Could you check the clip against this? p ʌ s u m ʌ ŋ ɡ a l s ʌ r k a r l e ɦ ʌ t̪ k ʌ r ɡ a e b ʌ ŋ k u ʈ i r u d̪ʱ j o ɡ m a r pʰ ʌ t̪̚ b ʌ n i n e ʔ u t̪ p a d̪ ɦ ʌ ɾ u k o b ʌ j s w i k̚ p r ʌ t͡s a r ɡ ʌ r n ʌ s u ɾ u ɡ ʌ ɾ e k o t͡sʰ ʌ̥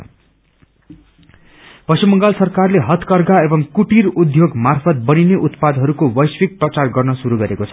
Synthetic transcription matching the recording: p ʌ s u m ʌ ŋ ɡ a l s ʌ r k a r l e ɦ ʌ t̪ k ʌ r ɡ a e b ʌ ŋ k u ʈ i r u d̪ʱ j o ɡ m a r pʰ ʌ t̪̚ b ʌ n i n e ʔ u t̪ p a d̪ ɦ ʌ ɾ u k o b ʌ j s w i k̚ p r ʌ t͡s a r ɡ ʌ r n ʌ s u ɾ u ɡ ʌ ɾ e k o t͡sʰ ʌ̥